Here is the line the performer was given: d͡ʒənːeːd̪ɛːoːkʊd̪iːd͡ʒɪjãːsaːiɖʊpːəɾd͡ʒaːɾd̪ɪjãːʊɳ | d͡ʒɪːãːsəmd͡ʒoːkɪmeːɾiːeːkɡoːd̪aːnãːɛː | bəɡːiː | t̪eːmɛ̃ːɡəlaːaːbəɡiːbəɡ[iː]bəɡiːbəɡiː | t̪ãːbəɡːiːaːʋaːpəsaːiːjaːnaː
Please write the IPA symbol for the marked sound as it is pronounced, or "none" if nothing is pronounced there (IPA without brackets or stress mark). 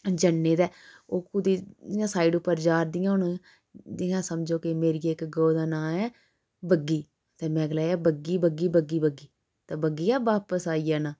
iː